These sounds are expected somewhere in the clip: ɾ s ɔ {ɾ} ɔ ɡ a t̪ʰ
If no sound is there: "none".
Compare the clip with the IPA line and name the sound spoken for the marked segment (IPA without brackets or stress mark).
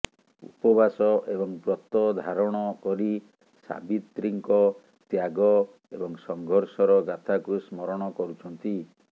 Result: ɾ